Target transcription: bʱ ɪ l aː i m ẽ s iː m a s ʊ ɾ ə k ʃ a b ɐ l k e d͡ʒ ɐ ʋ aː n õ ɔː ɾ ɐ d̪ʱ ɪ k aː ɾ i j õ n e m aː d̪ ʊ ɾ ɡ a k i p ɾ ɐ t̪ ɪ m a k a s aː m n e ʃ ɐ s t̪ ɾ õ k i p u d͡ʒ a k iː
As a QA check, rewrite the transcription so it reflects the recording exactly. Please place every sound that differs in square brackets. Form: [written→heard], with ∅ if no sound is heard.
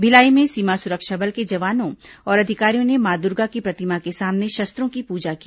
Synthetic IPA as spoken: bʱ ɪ l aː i m ẽ s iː m a s ʊ ɾ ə k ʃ a b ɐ l k e d͡ʒ ɐ ʋ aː n õ ɔː ɾ ɐ d̪ʱ ɪ k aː ɾ i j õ n e m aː d̪ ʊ ɾ ɡ a k i p ɾ ɐ t̪ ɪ m a k [a→e] s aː m n e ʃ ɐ s t̪ ɾ õ k i p [u→uː] d͡ʒ a k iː